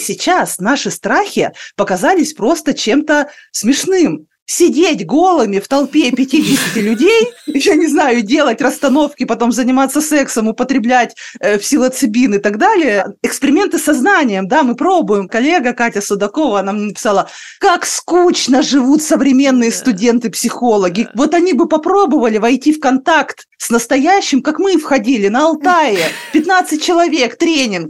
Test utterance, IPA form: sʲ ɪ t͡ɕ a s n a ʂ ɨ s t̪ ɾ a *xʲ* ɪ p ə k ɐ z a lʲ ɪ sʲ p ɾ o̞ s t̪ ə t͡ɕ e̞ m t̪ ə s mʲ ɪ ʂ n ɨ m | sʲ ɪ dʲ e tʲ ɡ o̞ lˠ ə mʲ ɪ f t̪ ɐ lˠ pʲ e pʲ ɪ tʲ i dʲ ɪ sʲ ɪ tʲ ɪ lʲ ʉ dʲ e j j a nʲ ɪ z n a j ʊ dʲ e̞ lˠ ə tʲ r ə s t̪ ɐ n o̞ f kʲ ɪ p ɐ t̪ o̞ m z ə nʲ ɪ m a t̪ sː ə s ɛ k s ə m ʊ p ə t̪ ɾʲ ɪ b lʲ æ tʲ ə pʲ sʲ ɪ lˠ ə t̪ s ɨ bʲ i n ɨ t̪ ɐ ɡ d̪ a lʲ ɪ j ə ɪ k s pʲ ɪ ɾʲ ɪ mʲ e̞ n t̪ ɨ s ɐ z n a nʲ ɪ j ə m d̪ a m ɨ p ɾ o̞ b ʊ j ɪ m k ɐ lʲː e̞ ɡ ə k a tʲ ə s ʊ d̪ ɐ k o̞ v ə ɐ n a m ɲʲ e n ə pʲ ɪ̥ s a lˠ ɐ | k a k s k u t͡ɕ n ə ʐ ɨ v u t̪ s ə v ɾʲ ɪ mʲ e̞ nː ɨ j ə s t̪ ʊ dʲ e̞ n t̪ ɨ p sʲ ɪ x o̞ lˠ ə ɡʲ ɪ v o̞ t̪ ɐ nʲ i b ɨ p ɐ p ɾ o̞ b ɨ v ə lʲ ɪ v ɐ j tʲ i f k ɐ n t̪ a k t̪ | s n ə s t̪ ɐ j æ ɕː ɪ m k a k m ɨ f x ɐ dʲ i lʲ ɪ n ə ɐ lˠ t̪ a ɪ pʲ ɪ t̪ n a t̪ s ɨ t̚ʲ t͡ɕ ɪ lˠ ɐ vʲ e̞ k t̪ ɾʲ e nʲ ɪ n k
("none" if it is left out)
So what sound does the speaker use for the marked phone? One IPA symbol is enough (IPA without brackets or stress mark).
xʲ